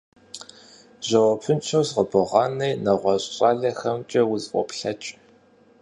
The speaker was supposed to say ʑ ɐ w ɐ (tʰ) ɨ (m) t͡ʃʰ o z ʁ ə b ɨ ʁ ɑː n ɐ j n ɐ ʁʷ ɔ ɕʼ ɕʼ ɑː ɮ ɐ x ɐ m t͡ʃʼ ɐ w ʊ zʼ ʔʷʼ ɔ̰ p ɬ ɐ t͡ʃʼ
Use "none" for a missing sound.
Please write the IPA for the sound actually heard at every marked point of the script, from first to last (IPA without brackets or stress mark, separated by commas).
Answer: pʰ, n